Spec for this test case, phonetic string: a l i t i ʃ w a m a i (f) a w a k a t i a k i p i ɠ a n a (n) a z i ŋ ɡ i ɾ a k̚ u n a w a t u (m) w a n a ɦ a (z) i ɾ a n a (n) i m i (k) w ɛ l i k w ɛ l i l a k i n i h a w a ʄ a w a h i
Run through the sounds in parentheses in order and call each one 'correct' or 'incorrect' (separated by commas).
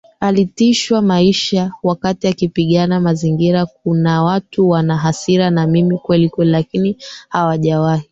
incorrect, incorrect, incorrect, incorrect, incorrect, correct